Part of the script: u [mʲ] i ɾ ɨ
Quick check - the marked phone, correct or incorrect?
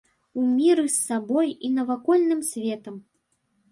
correct